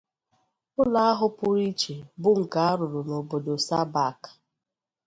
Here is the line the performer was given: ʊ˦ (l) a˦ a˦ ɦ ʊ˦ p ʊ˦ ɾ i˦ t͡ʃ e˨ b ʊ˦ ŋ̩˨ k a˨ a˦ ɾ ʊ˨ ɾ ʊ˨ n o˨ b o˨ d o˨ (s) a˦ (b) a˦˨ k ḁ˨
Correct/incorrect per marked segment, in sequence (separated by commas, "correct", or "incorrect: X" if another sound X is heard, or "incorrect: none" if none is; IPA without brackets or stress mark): correct, correct, correct